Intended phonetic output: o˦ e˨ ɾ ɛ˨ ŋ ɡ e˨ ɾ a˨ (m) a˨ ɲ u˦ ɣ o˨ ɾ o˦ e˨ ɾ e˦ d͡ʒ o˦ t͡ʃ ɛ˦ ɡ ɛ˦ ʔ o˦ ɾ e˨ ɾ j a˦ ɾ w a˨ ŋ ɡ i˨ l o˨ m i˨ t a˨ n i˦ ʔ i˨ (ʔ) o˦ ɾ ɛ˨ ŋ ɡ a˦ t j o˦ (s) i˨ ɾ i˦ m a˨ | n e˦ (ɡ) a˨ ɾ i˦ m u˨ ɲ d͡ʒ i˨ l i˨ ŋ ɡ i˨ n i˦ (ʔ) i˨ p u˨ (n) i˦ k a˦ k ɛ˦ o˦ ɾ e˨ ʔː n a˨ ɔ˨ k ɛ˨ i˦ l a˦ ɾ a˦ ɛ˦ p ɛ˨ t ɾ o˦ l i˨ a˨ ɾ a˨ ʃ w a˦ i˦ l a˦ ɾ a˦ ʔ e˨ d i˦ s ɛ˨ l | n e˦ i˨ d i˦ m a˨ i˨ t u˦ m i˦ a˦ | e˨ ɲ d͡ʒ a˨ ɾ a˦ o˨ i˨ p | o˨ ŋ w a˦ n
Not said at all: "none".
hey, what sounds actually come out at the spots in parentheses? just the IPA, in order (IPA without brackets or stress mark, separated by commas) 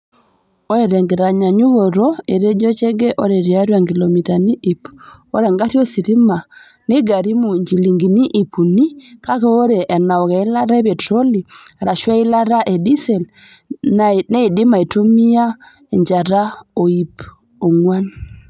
ɲ, p, s, ɡ, ʔ, n